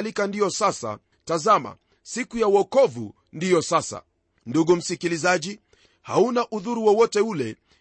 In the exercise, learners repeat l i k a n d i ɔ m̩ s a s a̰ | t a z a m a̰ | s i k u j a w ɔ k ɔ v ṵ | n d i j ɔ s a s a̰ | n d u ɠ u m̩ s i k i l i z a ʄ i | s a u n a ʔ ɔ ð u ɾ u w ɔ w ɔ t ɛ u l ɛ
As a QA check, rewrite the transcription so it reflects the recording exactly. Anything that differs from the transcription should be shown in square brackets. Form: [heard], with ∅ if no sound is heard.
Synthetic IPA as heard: l i k a n d i ɔ [∅] s a s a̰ | t a z a m a̰ | s i k u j a w ɔ k ɔ v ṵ | n d i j ɔ s a s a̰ | n d u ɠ u m̩ s i k i l i z a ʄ i | [h] a u n a ʔ [u] ð u ɾ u w ɔ w ɔ t ɛ u l ɛ